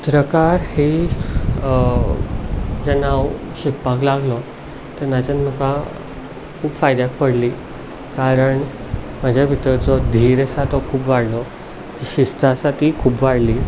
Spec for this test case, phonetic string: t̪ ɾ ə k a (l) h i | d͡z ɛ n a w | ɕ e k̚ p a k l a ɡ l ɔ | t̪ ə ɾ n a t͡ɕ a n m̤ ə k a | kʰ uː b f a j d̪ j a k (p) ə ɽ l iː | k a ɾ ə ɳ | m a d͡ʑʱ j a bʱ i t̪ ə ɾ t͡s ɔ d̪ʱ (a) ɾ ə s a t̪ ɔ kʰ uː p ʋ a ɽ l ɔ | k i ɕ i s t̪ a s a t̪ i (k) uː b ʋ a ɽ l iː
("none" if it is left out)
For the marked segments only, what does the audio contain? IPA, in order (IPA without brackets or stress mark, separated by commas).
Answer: ɾ, p, i, kʰ